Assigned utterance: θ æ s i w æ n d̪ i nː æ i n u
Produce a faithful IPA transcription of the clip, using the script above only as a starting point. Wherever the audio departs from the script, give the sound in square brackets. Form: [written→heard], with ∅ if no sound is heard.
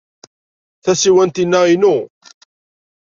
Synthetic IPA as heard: θ æ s i w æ n [d̪→t̪] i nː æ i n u